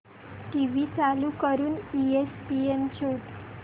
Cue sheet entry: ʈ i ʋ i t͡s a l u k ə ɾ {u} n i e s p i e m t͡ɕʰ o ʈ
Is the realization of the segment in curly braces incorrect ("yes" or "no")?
yes